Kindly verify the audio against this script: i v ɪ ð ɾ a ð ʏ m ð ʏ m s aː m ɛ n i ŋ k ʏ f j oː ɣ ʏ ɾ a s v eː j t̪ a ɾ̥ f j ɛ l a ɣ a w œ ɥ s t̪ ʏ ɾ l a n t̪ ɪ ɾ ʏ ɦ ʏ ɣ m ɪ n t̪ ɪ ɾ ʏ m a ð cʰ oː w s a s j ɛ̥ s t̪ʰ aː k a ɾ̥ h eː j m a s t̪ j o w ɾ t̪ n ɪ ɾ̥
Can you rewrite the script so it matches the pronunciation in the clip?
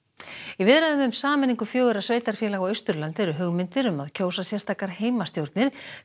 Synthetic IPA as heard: i v ɪ ð ɾ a ð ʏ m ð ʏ m s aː m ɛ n i ŋ k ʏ f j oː ɣ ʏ ɾ a s v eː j t̪ a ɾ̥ f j ɛ l a ɣ a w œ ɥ s t̪ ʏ ɾ l a n t̪ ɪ ɾ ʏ ɦ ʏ ɣ m ɪ n t̪ ɪ ɾ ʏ m a ð cʰ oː w s a s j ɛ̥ s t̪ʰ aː k a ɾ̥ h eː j m a s t̪ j o w ɾ t̪ n ɪ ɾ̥

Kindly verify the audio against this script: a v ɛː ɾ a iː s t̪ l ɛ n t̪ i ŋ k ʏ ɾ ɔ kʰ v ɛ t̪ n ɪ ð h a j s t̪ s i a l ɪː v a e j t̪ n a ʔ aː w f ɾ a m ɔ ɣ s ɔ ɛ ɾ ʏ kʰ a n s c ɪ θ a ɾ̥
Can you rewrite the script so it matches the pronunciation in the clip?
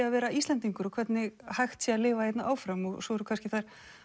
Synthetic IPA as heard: a v ɛː ɾ a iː s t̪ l ɛ n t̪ i ŋ k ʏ ɾ ɔ kʰ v ɛ t̪ n ɪ ɣ h a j x t̪ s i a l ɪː v a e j t̪ n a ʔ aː w f ɾ a m ɔ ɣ s ɔ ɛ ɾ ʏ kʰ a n s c ɪ θ a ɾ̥

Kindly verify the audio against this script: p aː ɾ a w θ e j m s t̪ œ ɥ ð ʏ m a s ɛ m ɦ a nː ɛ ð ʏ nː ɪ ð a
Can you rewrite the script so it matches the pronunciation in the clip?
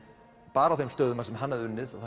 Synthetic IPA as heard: p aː ɾ a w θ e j m s t̪ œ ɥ ð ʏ m a s ɛ m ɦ a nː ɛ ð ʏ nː ɪ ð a

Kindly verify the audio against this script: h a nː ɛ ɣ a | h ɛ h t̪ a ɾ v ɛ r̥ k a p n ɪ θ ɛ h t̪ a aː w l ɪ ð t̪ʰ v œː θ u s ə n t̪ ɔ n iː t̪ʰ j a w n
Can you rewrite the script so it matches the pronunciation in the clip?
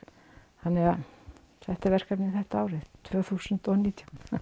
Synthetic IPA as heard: h a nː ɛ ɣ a | θ ɛ h t̪ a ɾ v ɛ r̥ k a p n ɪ θ ɛ h t̪ a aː w ɾ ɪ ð t̪ʰ v œː θ u s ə n t̪ ɔ n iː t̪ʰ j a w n

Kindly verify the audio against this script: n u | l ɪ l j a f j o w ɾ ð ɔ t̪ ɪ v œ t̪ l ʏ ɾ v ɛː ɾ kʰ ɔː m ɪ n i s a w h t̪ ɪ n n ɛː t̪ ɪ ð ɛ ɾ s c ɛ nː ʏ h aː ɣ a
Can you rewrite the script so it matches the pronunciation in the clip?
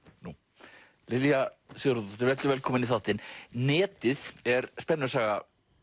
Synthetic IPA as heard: n u | l ɪ l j a s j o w ɾ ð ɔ t̪ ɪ v ɛ t̪ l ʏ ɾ v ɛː l kʰ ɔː m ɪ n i θ a w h t̪ ɪ n n ɛː t̪ ɪ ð ɛ ɾ s p ɛ nː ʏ s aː ɣ a

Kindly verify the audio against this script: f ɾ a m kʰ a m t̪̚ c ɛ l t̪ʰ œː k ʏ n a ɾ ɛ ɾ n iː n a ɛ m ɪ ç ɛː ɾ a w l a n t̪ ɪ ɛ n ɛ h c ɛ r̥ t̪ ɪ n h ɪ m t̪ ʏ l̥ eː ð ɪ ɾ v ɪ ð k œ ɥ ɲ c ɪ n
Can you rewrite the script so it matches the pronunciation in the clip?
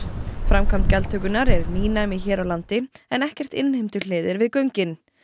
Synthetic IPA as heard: f ɾ a m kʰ a m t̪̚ c ɛ l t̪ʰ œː k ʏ n a ɾ ɛ ɾ n iː n a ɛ m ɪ ç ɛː ɾ a w l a n t̪ ɪ ɛ n ɛ h c ɛ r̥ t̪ ɪ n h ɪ m t̪ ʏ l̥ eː ð ɪ ɾ v ɪ ð k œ ɥ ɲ c ɪ n

